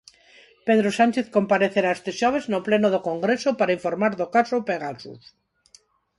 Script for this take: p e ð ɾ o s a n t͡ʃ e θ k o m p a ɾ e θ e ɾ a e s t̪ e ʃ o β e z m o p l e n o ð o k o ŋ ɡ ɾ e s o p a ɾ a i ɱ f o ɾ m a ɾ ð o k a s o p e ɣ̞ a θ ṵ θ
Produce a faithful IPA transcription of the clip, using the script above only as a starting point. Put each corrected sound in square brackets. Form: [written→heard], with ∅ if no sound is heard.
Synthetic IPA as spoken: p e ð ɾ o s a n t͡ʃ e θ k o m p a ɾ e θ e ɾ a e s t̪ e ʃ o β e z [m→n] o p l e n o ð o k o ŋ ɡ ɾ e s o p a ɾ a i ɱ f o ɾ m a ɾ ð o k a s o p e ɣ̞ a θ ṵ θ

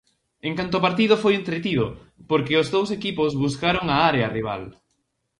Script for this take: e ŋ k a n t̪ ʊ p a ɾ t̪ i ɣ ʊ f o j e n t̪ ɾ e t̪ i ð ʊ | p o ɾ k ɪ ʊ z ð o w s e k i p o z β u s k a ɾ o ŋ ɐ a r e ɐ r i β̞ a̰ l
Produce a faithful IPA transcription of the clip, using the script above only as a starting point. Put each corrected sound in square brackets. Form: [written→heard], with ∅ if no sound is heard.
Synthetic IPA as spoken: e ŋ k a n t̪ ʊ p a ɾ t̪ i [ɣ→ð] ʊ f o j e n t̪ ɾ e t̪ i ð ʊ | p o ɾ k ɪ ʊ z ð o w s e k i p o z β u s k a ɾ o ŋ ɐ a [r→ɾ] e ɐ r i β̞ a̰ l

